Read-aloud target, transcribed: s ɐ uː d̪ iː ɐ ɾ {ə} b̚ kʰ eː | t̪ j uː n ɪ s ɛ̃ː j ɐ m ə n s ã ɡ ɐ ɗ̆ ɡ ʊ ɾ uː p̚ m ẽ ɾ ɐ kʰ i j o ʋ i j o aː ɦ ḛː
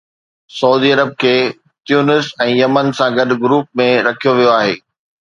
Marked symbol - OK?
yes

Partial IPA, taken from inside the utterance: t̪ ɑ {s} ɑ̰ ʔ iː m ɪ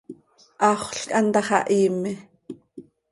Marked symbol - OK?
no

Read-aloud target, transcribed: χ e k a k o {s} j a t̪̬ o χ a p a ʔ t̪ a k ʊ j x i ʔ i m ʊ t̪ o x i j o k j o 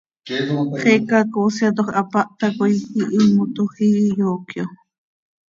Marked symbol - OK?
yes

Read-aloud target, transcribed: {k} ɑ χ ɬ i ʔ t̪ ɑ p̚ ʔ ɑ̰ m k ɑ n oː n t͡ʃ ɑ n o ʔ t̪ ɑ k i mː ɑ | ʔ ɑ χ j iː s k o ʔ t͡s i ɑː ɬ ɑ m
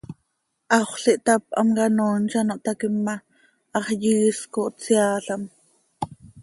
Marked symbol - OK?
no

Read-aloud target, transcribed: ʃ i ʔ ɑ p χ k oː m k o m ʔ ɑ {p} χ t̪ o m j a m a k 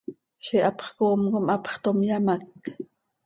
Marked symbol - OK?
yes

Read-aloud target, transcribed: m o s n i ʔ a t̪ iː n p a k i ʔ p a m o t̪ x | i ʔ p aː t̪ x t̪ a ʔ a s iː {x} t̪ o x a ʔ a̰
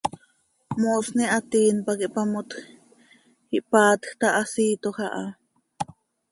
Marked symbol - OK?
no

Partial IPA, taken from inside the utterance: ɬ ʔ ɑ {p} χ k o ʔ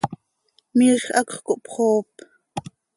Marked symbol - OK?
no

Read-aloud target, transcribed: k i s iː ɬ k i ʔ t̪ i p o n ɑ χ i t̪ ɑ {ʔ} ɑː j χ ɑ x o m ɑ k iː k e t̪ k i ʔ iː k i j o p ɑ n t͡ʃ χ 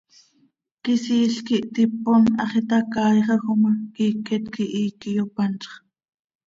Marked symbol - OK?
no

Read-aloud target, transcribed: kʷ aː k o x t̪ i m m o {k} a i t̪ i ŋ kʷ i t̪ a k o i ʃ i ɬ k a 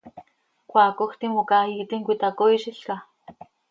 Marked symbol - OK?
yes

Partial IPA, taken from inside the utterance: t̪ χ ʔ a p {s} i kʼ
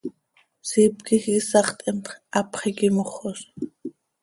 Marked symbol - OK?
no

